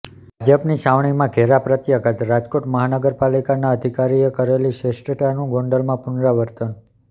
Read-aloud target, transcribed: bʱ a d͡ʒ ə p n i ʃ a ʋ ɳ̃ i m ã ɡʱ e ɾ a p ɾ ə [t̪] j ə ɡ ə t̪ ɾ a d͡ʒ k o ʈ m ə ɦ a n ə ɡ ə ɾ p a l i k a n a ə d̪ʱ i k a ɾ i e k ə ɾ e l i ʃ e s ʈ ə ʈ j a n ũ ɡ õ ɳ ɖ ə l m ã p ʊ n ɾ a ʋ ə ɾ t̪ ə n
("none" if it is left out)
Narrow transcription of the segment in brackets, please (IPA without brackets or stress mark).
t̪